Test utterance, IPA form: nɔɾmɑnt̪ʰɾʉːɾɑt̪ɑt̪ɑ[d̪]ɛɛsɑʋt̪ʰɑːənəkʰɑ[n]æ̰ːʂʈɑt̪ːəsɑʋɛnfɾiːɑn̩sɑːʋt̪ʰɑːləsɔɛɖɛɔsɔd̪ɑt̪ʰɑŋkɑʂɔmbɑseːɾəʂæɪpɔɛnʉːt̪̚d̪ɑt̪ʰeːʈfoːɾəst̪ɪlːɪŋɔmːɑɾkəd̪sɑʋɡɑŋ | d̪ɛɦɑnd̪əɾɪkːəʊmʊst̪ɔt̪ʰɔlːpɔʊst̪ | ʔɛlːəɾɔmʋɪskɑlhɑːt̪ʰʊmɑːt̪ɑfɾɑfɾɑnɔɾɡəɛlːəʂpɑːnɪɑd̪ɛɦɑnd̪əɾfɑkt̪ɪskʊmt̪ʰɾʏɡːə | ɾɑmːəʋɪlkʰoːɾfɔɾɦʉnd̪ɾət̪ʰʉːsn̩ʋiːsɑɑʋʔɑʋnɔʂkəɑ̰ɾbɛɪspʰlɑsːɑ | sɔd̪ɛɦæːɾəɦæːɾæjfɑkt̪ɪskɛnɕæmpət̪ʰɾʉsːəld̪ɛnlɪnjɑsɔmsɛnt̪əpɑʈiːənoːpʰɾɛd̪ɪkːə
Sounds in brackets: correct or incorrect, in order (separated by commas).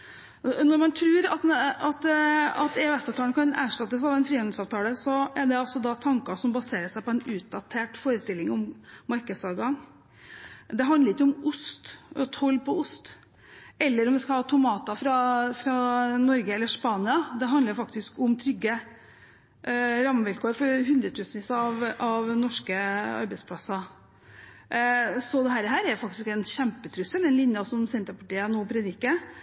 incorrect, correct